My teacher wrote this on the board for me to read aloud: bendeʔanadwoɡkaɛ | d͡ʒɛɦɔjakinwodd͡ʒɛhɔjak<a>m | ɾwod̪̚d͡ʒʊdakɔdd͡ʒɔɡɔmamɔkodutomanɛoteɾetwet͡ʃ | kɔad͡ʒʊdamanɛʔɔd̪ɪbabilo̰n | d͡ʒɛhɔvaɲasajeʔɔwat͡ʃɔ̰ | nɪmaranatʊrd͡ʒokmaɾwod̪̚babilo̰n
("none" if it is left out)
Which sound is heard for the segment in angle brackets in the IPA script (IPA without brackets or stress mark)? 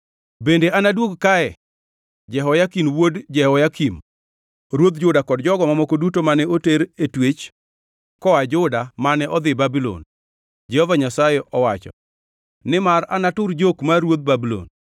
i